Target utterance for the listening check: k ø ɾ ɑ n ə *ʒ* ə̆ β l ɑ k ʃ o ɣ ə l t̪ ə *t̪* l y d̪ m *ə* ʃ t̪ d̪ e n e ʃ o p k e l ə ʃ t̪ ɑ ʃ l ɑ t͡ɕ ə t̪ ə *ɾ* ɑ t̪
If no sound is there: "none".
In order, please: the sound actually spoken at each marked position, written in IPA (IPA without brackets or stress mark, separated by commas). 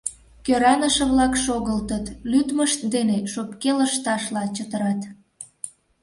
ʃ, t̪, ə, ɾ